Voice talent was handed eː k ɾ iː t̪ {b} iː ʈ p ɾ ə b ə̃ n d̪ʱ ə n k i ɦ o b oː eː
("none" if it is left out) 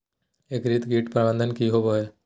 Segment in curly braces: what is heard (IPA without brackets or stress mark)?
ɡ